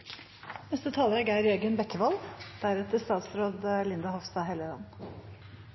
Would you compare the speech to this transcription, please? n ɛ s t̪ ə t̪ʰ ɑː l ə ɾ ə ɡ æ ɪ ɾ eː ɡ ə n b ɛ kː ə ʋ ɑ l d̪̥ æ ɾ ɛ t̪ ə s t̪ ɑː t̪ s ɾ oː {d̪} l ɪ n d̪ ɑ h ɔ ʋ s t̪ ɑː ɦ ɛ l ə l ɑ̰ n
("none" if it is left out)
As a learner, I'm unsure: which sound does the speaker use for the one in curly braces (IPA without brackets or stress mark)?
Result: d̪